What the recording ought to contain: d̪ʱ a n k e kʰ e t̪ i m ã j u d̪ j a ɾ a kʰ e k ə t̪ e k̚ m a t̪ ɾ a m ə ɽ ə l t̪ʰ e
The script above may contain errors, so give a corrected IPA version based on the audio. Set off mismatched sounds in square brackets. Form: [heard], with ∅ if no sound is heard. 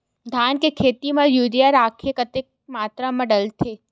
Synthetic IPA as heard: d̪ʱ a n k e kʰ e t̪ i m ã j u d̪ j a ɾ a kʰ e k ə t̪ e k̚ m a t̪ ɾ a m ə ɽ ə l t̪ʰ e

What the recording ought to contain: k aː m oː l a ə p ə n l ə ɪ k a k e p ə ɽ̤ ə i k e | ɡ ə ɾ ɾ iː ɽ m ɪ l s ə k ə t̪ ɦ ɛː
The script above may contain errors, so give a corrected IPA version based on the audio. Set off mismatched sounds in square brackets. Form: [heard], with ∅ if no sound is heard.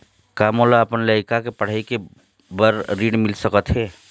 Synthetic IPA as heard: k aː m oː l a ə p ə n l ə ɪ k a k e p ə ɽ̤ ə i k e | [b] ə ɾ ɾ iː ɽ m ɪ l s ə k ə t̪ ɦ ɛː

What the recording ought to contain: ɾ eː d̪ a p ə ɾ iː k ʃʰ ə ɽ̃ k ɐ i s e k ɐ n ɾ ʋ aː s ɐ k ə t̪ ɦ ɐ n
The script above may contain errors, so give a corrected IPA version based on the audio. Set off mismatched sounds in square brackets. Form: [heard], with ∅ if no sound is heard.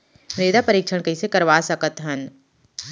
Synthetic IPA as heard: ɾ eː d̪ a p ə ɾ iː k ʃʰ ə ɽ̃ k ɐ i s e k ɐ [∅] ɾ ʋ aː s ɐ k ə t̪ ɦ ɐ n

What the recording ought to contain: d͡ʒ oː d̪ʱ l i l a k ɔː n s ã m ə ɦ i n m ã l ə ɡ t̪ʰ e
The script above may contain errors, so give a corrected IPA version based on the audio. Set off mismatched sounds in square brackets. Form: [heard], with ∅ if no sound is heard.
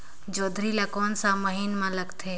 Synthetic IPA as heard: d͡ʒ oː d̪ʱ [ɾ] i l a k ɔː n s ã m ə ɦ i n m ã l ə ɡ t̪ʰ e

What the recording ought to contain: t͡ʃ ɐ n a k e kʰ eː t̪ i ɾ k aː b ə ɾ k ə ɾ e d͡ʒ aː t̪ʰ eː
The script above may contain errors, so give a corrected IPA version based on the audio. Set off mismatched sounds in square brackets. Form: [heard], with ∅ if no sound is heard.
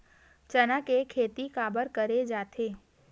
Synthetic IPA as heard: t͡ʃ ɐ n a k e kʰ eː t̪ i [∅] k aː b ə ɾ k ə ɾ e d͡ʒ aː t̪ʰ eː

